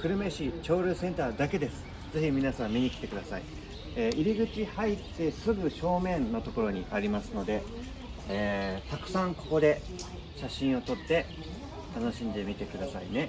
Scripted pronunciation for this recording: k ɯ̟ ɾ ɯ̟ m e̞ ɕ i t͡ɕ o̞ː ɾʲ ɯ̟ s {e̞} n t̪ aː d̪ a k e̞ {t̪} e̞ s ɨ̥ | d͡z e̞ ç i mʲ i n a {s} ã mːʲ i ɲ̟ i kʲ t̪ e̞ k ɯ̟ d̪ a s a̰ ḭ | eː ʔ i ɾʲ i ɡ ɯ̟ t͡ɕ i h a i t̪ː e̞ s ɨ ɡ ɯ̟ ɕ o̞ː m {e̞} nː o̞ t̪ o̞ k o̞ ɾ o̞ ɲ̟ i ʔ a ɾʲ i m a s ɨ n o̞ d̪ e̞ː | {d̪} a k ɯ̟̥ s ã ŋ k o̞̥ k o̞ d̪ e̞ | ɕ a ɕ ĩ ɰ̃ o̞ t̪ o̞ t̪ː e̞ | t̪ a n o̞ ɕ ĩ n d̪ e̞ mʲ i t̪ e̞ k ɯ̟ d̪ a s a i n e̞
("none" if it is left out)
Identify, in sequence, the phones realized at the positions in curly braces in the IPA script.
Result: ẽ̞, d̪, s, ẽ̞, t̪

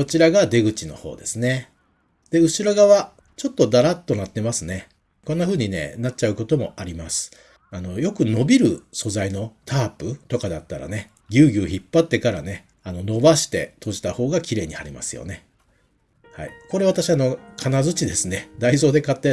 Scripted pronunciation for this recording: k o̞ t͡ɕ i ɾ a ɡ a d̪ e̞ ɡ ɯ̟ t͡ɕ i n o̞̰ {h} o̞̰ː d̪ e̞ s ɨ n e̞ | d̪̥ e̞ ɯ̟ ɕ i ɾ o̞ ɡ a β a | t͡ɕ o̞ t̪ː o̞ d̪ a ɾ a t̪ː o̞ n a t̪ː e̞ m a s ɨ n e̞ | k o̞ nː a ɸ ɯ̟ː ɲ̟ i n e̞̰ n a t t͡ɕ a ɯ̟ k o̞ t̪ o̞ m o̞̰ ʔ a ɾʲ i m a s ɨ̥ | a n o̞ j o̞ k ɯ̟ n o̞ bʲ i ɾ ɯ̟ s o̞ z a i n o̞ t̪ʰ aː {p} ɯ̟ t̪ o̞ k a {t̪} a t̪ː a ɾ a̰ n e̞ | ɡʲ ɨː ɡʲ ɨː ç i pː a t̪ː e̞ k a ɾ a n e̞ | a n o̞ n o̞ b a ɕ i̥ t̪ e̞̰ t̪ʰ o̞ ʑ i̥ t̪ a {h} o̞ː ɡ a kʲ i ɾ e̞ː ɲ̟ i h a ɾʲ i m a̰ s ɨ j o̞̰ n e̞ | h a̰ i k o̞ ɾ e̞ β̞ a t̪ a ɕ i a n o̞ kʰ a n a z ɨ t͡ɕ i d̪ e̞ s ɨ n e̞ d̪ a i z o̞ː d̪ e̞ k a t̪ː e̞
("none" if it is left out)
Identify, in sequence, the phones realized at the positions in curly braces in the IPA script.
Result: h, p, d̪, h

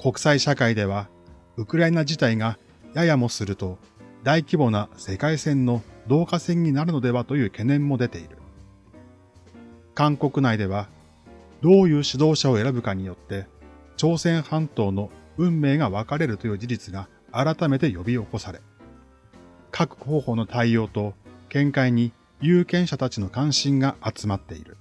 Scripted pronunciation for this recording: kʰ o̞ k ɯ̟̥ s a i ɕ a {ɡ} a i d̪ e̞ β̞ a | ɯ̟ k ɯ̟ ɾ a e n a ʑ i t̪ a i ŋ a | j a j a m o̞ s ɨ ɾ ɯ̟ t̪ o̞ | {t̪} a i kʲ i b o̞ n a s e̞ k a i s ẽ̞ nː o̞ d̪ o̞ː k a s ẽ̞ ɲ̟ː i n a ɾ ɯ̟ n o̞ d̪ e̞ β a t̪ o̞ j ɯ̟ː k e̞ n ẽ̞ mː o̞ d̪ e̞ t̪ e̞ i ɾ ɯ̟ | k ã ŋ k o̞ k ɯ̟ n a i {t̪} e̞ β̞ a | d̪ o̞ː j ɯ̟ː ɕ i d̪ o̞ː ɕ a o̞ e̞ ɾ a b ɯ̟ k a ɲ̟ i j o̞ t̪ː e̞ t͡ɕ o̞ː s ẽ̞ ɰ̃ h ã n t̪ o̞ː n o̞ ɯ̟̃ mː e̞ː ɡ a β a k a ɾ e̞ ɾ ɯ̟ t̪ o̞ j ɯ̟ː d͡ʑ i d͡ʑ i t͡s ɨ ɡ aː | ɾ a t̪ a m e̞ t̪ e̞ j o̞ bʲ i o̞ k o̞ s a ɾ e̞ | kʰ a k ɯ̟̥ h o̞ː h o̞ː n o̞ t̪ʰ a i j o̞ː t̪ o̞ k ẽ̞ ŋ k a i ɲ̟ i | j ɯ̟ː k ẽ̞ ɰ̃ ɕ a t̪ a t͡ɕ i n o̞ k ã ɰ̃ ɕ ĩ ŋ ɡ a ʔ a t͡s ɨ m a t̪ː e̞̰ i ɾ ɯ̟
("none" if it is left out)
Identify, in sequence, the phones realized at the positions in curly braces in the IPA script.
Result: k, d̪, d̪

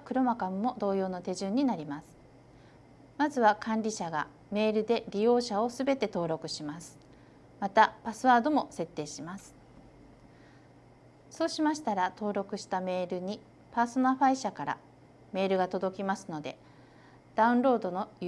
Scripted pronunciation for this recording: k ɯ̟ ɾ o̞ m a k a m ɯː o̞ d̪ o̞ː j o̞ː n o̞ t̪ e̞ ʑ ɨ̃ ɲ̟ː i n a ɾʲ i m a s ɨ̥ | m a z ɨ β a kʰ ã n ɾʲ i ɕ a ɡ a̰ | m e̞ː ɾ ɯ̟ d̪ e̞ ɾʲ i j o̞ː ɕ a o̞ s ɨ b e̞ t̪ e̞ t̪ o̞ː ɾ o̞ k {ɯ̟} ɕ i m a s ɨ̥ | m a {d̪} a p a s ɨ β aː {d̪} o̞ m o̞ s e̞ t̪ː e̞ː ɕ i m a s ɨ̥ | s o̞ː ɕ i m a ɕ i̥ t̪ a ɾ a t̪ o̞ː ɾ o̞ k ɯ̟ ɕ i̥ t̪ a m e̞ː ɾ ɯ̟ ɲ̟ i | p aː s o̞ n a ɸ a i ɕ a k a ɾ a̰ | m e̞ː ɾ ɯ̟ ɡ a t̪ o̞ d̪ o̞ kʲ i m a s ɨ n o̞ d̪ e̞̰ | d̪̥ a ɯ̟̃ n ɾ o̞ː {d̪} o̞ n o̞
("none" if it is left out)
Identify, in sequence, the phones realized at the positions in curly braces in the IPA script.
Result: ɯ̟, t̪, d̪, d̪

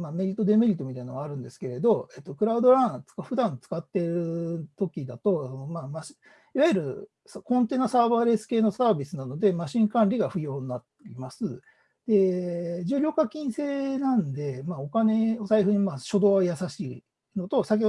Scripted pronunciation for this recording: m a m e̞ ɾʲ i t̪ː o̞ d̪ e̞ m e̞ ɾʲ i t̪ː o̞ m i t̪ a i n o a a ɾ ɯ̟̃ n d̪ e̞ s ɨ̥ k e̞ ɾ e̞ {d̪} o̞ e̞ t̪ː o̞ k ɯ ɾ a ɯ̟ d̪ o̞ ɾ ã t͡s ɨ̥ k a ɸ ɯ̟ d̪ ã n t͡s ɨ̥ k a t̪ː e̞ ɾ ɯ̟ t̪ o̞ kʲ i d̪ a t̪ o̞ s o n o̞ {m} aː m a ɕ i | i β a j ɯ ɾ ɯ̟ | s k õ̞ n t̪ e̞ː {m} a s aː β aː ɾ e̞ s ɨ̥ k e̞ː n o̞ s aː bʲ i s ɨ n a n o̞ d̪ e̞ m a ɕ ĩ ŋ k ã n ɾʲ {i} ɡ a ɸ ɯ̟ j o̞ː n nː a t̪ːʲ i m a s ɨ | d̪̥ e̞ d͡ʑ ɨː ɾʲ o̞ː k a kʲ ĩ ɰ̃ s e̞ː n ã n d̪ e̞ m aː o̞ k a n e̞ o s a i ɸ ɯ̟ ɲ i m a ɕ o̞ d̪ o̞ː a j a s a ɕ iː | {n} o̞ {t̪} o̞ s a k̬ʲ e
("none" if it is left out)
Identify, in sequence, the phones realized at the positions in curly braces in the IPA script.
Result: d̪, m, n, i, n, t̪

